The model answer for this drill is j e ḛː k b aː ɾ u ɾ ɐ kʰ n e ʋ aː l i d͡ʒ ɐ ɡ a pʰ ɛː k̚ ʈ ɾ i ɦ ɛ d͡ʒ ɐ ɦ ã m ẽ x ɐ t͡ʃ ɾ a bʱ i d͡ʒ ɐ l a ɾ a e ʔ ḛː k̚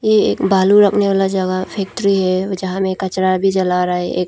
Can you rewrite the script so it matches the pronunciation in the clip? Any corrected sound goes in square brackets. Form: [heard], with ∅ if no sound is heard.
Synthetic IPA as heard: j e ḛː k b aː [l] u ɾ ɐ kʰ n e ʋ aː l [a] d͡ʒ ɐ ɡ a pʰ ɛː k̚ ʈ ɾ i ɦ ɛ d͡ʒ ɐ ɦ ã m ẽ [k] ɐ t͡ʃ ɾ a bʱ i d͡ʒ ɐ l a ɾ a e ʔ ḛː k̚